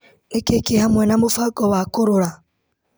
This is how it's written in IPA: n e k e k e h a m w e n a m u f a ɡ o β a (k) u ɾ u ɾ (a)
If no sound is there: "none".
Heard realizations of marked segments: k, a

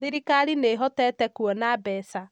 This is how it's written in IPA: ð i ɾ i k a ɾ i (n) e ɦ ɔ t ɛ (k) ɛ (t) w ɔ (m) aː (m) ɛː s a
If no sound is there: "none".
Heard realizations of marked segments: n, t, k, n, b

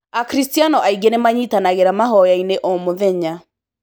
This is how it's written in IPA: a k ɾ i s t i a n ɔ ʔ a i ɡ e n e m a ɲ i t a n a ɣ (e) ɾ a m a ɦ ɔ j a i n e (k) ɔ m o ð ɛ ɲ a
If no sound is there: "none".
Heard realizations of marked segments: e, ʔ

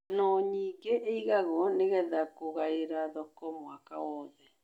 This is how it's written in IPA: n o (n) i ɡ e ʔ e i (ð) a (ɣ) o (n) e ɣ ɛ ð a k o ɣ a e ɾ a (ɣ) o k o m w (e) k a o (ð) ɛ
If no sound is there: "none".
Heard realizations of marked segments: ɲ, ɣ, ɣ, n, ð, a, ð

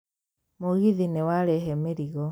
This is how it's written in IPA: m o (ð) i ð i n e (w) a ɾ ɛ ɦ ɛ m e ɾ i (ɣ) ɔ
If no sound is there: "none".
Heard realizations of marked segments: ɣ, w, ɣ

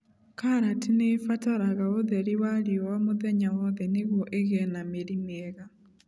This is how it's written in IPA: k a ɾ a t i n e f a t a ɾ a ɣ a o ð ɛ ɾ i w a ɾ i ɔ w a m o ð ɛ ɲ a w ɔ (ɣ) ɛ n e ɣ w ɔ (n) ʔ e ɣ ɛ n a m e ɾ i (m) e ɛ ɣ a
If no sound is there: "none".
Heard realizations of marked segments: ð, none, m

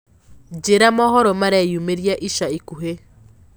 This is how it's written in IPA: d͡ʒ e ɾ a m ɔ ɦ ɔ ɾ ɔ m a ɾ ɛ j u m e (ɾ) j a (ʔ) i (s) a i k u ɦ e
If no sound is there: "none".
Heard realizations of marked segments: ɾ, ʔ, ʃ

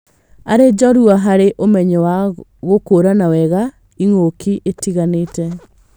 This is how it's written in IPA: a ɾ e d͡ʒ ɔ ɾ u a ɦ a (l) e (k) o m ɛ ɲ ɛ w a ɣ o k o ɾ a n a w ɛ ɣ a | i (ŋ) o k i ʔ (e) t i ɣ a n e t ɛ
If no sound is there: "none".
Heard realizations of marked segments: ɾ, ʔ, ŋ, e

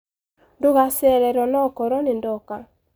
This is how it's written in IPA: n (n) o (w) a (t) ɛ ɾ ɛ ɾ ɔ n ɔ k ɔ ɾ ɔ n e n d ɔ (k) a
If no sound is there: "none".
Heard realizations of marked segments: d, ɣ, s, k

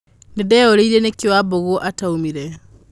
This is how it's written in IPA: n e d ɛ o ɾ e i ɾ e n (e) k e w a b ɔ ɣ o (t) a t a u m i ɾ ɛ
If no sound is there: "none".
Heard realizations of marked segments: e, ʔ

